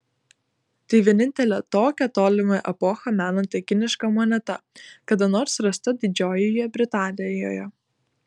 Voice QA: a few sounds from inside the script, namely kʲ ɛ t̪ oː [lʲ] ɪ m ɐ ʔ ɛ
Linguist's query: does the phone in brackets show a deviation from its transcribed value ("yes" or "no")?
no